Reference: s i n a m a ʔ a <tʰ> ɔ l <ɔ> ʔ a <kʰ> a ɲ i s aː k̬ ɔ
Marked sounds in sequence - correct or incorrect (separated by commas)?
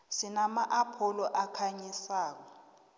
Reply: incorrect, correct, correct